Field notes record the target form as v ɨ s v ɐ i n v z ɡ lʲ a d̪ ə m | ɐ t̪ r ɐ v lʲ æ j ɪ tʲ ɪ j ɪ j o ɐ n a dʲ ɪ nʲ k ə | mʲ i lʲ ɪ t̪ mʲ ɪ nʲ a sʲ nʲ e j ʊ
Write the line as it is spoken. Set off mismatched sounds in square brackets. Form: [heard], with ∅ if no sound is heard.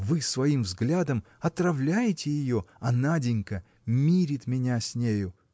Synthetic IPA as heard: v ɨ s v ɐ i [m] v z ɡ lʲ a d̪ ə m | ɐ t̪ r ɐ v lʲ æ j ɪ tʲ ɪ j ɪ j o ɐ n a dʲ ɪ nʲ k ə | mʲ i [ɾʲ] ɪ t̪ mʲ ɪ nʲ a sʲ nʲ e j ʊ